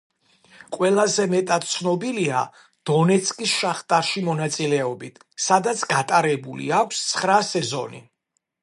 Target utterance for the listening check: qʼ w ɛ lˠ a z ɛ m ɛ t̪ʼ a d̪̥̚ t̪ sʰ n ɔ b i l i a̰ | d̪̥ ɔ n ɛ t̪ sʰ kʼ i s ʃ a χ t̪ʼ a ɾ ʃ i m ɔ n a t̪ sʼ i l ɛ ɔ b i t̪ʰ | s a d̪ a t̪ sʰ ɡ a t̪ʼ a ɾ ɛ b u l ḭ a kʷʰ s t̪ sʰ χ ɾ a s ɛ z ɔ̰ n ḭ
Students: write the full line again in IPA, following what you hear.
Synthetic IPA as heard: qʼ w ɛ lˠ a z ɛ m ɛ t̪ʼ a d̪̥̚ t̪ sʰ n ɔ b i l i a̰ | d̪̥ ɔ n ɛ t̪ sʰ kʼ i s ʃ a χ t̪ʼ a ɾ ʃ i m ɔ n a t̪ sʼ i l ɛ ɔ b i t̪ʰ | s a d̪ a t̪ sʰ ɡ a t̪ʼ a ɾ ɛ b u l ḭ a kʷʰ s t̪ sʰ χ ɾ a s ɛ z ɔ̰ n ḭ